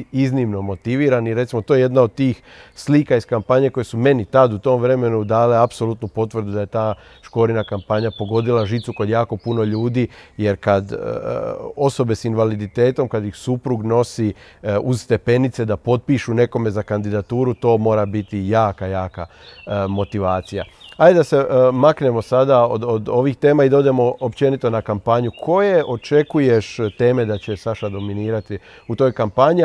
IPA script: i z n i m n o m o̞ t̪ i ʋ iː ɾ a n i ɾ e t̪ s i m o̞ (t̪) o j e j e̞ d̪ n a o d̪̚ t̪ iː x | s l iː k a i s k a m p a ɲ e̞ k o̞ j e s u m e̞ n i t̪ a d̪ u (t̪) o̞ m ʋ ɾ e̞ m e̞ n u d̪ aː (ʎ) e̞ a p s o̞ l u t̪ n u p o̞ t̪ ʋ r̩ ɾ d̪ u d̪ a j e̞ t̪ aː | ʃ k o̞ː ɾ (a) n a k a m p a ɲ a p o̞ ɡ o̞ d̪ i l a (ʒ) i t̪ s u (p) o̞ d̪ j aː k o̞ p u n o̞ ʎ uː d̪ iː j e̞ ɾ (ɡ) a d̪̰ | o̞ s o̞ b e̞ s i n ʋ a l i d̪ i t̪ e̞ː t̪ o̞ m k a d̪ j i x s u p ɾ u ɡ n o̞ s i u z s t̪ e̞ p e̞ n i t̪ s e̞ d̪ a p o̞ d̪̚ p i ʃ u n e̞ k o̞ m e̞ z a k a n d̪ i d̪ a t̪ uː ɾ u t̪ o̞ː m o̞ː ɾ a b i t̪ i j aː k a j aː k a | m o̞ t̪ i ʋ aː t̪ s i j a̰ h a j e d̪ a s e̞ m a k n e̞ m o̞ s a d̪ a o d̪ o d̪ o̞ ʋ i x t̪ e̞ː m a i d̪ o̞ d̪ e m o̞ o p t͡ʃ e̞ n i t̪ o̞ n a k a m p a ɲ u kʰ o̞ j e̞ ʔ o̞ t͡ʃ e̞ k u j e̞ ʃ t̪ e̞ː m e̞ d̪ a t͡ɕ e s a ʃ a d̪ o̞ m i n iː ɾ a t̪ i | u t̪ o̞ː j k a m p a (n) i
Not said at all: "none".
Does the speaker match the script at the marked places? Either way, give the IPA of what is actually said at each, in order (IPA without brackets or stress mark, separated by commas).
t̪, t̪, l, i, ʒ, k, k, ɲ